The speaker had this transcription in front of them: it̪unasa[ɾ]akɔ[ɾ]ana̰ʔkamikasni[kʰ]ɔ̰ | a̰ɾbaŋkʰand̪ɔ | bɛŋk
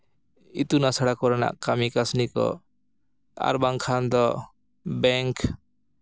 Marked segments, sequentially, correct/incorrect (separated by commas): incorrect, correct, incorrect